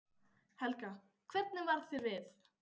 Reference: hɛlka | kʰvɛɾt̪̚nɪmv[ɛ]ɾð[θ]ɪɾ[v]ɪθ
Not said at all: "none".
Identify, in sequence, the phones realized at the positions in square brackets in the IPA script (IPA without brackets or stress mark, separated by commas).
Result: a, θ, v